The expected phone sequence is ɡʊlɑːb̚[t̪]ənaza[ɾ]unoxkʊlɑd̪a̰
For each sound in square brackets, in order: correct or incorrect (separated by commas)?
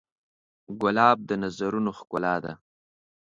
incorrect, correct